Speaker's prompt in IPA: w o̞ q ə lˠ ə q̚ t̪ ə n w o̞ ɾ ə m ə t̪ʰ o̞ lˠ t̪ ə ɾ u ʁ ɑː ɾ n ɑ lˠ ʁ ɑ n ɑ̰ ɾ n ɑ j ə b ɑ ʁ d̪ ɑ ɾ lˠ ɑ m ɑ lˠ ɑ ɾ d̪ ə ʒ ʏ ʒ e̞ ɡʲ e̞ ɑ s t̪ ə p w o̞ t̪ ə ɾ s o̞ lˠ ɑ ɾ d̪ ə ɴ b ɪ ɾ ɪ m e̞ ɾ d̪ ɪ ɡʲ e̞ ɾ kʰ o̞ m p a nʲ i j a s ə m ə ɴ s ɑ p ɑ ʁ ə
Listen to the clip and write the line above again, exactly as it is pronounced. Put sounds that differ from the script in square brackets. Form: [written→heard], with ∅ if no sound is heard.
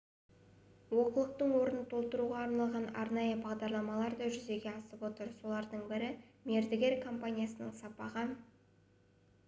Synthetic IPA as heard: w o̞ q ə lˠ ə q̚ t̪ ə [n→ɴ] w o̞ ɾ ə [m→n] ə t̪ʰ o̞ lˠ t̪ ə ɾ u ʁ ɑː ɾ n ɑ lˠ ʁ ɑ n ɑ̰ ɾ n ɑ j ə b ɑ ʁ d̪ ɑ ɾ lˠ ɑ m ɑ lˠ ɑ ɾ d̪ [ə→ɑ] ʒ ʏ [ʒ→z] e̞ ɡʲ e̞ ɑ s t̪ ə p w o̞ t̪ ə ɾ s o̞ lˠ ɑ ɾ d̪ ə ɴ b ɪ ɾ ɪ m e̞ ɾ d̪ ɪ ɡʲ e̞ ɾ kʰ o̞ m p a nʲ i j a s ə [m→n] ə ɴ s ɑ p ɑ ʁ ə